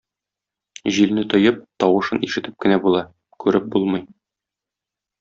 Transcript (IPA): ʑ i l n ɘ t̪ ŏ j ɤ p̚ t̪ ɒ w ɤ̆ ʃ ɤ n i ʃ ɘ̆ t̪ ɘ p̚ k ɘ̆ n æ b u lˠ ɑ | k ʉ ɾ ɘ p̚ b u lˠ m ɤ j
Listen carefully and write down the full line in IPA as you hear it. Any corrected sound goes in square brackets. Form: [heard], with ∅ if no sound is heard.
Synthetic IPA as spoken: ʑ i l n ɘ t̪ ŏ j ɤ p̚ t̪ ɒ w ɤ̆ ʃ ɤ n i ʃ ɘ̆ t̪ ɘ p̚ k ɘ̆ n æ b u lˠ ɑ | k ʉ ɾ ɘ p̚ b u lˠ m ɤ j